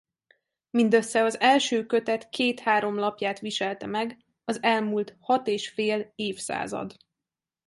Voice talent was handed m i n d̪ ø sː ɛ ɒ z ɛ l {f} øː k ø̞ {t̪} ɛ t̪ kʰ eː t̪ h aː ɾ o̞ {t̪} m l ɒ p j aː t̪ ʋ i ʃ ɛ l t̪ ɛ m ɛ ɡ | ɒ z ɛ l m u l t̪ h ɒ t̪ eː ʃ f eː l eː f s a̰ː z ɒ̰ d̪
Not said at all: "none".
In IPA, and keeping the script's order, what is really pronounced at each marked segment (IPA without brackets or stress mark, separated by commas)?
ʃ, t̪, none